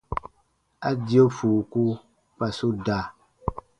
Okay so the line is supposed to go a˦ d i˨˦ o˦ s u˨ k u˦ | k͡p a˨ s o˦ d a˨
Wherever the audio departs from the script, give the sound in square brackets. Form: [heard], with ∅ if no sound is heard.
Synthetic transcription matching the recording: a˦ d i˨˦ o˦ [f] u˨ k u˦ | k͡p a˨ s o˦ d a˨

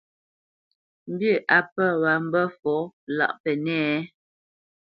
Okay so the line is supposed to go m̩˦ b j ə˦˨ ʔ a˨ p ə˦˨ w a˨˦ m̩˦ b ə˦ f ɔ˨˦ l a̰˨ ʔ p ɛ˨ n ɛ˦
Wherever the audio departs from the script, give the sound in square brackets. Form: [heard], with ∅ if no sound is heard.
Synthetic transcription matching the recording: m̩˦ b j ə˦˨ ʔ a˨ p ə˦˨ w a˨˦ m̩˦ b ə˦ f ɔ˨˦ l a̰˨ ʔ p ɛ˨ n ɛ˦

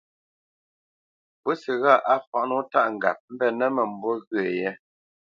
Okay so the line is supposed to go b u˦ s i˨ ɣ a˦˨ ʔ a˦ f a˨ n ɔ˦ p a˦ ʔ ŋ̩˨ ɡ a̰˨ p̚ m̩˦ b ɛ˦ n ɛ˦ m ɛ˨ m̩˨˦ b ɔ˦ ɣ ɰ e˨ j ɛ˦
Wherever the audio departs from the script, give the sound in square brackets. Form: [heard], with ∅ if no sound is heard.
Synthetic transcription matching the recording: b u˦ s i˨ ɣ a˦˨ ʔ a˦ f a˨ n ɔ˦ [t] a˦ ʔ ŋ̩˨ ɡ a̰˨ p̚ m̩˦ b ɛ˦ n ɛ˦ m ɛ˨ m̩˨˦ b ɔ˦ ɣ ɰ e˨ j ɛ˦

